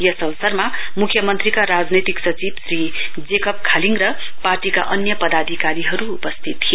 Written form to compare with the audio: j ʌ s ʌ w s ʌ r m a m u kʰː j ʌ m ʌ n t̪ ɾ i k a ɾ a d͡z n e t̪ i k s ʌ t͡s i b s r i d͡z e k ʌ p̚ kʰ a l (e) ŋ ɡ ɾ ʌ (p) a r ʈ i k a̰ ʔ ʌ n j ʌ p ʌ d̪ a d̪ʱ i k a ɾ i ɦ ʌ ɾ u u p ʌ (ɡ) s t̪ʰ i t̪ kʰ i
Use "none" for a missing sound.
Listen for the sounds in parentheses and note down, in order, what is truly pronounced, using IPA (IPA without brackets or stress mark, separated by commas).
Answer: i, p, none